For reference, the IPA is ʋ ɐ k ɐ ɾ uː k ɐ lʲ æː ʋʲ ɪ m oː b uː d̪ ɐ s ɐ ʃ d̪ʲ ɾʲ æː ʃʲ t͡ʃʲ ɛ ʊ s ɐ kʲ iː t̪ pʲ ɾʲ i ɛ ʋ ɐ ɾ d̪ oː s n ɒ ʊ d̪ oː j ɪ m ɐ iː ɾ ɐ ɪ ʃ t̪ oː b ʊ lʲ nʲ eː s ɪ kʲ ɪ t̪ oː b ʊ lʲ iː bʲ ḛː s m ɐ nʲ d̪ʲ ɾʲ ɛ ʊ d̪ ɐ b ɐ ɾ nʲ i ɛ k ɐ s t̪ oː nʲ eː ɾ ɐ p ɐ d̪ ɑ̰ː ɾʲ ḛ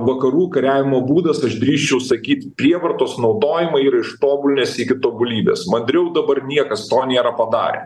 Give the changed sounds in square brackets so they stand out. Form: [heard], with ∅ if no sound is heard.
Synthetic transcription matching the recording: ʋ ɐ k ɐ ɾ uː k ɐ [ɾʲ] æː ʋʲ ɪ m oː b uː d̪ ɐ s ɐ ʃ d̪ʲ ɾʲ [iː] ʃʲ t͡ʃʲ ɛ ʊ s ɐ kʲ iː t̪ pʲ ɾʲ i ɛ ʋ ɐ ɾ [t̪] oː s n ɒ ʊ d̪ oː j ɪ m ɐ iː ɾ ɐ ɪ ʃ t̪ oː b ʊ lʲ nʲ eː s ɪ kʲ ɪ t̪ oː b ʊ lʲ iː bʲ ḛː s m ɐ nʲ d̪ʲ ɾʲ ɛ ʊ d̪ ɐ b ɐ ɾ nʲ i ɛ k ɐ s t̪ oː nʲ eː ɾ ɐ p ɐ d̪ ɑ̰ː ɾʲ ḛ